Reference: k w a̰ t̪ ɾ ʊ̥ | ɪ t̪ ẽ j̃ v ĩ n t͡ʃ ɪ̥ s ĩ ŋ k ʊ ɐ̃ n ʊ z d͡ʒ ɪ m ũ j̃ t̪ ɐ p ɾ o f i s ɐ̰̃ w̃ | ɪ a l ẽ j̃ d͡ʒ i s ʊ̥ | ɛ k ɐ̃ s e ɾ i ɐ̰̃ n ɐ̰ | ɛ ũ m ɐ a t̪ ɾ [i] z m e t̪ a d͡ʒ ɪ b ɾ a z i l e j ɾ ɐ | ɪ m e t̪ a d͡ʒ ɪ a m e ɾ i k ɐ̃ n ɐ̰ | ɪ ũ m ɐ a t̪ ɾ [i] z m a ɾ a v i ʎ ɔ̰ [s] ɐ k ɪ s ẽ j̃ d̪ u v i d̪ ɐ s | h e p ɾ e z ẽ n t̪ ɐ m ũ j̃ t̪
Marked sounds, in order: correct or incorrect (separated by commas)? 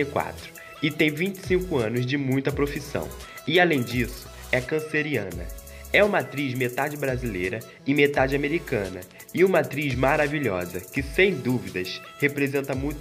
correct, correct, incorrect